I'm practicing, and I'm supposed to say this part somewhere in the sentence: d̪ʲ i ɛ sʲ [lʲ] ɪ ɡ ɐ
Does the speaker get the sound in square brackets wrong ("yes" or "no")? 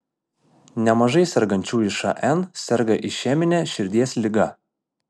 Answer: no